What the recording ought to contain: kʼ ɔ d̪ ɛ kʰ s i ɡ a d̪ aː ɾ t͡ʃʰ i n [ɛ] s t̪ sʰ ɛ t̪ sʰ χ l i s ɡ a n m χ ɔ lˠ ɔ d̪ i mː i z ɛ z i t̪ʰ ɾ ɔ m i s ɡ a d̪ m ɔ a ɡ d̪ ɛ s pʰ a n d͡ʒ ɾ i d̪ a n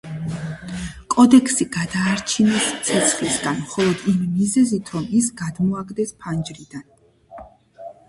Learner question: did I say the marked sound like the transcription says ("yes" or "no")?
yes